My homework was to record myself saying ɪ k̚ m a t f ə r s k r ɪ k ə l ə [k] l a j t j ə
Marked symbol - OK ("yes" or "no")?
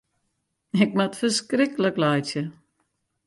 yes